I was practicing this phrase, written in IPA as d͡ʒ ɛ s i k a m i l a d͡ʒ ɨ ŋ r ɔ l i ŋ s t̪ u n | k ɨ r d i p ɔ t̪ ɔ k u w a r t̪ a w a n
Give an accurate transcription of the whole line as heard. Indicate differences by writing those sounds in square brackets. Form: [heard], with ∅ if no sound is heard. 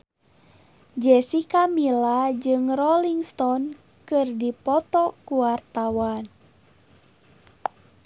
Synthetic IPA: d͡ʒ ɛ s i k a m i l a d͡ʒ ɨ ŋ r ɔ l i ŋ s t̪ [ɔ] n | k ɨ r d i p ɔ t̪ ɔ k u w a r t̪ a w a n